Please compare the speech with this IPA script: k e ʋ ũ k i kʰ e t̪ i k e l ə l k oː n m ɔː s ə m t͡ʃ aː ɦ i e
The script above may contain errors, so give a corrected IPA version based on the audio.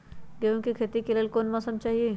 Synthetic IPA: ɡ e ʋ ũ k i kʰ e t̪ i k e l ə l k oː n m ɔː s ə m t͡ʃ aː ɦ i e